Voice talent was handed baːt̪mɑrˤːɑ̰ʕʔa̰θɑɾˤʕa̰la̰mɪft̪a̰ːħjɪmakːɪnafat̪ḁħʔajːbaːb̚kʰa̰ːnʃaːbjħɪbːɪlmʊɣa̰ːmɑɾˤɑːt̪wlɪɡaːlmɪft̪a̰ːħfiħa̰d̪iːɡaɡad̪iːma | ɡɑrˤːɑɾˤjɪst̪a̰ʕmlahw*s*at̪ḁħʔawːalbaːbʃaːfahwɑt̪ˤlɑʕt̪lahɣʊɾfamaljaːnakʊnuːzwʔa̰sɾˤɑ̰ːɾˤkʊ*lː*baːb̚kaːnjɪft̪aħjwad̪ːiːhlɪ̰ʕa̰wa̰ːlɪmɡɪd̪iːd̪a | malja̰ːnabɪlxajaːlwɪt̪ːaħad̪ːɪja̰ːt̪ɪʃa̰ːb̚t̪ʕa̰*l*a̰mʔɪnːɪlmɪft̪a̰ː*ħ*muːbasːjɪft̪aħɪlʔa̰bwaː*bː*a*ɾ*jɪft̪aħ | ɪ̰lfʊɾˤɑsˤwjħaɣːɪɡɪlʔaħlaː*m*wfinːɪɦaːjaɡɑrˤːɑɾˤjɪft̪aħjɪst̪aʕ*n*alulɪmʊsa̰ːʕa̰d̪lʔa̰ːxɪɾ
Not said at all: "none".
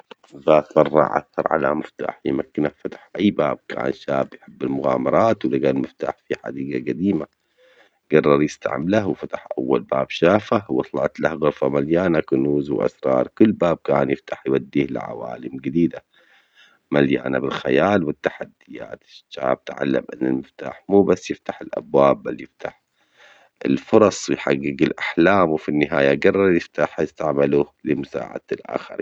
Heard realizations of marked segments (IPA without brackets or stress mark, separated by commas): f, lː, lː, ħ, bː, l, m, m